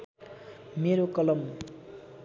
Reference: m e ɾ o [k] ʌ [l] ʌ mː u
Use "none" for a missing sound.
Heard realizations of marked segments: k, l

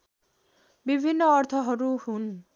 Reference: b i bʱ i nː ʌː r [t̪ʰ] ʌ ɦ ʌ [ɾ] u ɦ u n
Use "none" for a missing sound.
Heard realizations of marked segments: t̪ʰ, ɾ

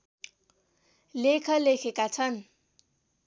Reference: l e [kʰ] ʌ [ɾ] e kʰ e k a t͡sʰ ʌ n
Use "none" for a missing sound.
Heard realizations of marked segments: kʰ, l

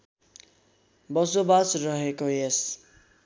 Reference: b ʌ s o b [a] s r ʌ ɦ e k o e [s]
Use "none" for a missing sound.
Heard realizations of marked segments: a, s

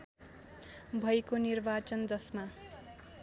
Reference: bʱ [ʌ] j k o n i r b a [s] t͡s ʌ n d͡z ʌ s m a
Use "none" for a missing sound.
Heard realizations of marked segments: ʌ, none

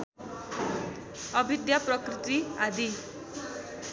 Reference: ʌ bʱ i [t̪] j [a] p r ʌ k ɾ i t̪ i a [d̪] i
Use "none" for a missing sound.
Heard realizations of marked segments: d̪, a, d̪

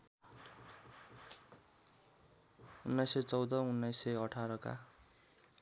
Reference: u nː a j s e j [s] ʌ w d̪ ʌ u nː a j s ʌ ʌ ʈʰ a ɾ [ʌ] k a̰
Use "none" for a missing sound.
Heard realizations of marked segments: t͡s, ʌ

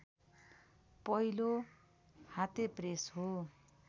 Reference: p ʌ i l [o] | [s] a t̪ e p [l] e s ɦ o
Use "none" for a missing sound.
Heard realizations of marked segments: o, h, r

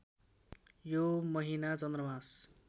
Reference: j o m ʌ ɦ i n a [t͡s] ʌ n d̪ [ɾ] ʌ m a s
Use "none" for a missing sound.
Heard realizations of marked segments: t͡s, r

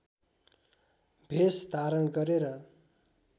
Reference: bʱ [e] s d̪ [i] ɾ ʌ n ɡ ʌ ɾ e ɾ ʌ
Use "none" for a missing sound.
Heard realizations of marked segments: e, a

